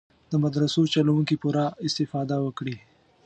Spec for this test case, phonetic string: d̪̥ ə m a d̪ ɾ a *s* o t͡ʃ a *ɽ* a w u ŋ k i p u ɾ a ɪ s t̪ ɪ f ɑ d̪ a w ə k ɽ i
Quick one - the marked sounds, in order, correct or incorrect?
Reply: correct, incorrect

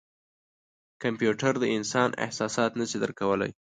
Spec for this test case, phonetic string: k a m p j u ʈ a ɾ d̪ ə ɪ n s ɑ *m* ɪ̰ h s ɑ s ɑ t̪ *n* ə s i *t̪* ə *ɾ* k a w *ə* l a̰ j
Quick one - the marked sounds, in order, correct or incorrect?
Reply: incorrect, correct, incorrect, correct, correct

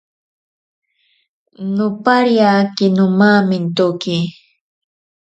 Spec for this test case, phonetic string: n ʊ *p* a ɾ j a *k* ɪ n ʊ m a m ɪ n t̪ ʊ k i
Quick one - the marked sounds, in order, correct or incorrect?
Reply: correct, correct

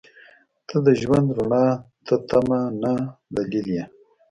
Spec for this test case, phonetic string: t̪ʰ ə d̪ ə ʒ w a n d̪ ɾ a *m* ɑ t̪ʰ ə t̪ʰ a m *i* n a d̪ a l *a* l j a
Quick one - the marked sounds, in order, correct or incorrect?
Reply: incorrect, incorrect, incorrect

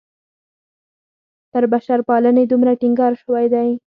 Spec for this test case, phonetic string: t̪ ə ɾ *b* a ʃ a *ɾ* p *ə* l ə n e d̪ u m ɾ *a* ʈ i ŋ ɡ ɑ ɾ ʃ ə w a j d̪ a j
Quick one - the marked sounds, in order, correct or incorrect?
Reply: correct, correct, incorrect, correct

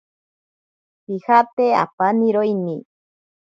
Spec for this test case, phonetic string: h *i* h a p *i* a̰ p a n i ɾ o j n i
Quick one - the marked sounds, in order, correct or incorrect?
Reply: correct, incorrect

